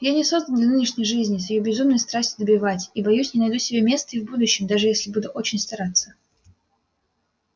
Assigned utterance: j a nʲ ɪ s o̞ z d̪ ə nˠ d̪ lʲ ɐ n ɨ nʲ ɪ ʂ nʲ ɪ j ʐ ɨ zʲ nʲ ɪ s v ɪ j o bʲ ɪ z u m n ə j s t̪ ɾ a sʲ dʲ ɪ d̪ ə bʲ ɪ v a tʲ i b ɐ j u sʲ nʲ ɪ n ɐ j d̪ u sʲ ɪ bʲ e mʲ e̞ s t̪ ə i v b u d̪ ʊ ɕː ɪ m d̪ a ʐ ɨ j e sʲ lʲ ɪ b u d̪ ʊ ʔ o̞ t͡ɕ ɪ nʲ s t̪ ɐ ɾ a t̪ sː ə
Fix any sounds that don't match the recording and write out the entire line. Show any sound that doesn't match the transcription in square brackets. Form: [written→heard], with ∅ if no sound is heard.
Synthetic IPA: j a nʲ ɪ s o̞ z d̪ ə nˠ d̪ lʲ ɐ n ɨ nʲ ɪ ʂ nʲ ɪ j ʐ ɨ zʲ nʲ ɪ s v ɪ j o bʲ ɪ z u m n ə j s t̪ ɾ a sʲ [dʲ→tʲ] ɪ d̪ ə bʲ ɪ v a tʲ i b ɐ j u sʲ nʲ ɪ n ɐ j d̪ u sʲ ɪ bʲ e mʲ e̞ s t̪ ə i v b u d̪ ʊ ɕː ɪ m d̪ a ʐ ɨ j e sʲ lʲ ɪ b u d̪ ʊ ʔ o̞ t͡ɕ ɪ nʲ s t̪ ɐ ɾ a t̪ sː ə